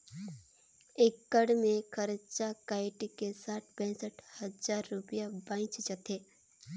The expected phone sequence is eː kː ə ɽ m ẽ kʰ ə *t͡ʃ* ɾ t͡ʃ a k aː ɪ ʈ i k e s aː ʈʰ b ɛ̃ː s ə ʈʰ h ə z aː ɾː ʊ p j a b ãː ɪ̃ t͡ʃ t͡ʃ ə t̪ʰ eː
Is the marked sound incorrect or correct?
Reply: incorrect: none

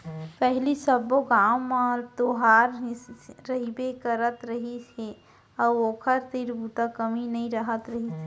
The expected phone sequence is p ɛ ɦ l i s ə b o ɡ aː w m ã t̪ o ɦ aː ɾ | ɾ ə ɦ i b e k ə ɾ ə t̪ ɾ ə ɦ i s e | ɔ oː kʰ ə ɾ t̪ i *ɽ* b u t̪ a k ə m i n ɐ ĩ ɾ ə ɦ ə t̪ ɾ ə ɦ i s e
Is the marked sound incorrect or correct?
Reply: incorrect: ɾ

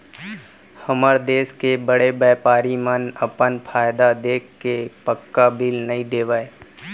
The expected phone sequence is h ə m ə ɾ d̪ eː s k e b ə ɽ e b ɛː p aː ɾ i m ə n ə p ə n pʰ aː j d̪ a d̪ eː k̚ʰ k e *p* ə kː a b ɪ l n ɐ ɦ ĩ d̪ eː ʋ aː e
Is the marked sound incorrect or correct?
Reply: correct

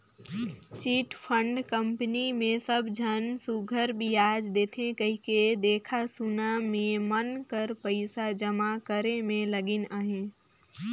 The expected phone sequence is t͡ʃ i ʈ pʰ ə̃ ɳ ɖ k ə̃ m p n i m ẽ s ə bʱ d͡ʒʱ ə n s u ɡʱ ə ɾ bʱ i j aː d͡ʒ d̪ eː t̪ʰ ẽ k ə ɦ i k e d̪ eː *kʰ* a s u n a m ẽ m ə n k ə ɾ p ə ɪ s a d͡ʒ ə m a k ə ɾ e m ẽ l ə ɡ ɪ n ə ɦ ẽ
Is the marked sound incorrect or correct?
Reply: correct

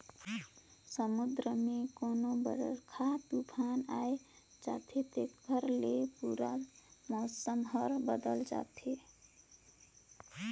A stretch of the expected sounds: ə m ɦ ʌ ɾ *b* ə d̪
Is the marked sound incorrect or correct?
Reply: correct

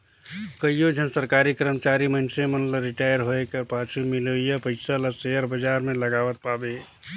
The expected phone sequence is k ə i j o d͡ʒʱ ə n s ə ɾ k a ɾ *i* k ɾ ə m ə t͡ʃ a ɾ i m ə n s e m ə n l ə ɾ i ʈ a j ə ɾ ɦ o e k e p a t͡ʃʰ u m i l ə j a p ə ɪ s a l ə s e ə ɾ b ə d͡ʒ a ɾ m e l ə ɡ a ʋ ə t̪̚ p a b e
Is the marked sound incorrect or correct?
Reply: correct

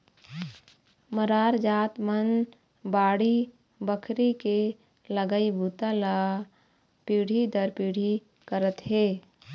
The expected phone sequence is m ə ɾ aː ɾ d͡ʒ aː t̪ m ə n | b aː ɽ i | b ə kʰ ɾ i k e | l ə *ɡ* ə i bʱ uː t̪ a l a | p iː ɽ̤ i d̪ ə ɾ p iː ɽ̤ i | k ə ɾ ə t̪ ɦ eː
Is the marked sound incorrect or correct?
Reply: correct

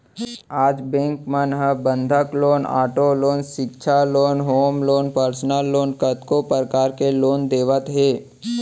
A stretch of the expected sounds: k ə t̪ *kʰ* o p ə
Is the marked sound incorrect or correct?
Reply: incorrect: k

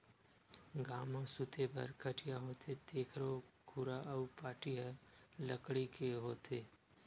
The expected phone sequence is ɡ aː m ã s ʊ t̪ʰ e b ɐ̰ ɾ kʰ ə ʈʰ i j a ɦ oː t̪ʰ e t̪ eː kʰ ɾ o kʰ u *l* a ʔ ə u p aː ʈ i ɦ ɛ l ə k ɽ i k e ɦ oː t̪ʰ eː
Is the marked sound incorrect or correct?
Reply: incorrect: ɾ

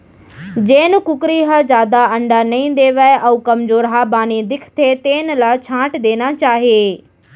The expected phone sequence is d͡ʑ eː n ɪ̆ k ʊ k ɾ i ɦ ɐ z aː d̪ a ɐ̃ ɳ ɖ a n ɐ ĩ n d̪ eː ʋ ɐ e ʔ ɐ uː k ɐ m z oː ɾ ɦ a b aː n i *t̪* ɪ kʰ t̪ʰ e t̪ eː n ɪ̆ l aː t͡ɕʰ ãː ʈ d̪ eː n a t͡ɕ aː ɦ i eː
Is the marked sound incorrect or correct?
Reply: incorrect: d̪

